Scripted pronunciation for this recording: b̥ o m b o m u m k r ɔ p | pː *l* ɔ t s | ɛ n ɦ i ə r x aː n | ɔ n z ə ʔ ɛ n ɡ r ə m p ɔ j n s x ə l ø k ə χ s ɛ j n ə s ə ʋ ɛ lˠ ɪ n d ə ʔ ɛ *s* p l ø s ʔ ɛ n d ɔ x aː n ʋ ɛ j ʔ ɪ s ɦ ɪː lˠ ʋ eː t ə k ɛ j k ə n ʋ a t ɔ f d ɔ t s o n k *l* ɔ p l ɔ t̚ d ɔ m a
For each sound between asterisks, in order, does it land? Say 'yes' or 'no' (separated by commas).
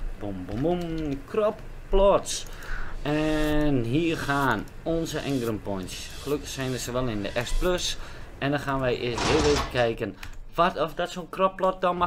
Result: yes, yes, no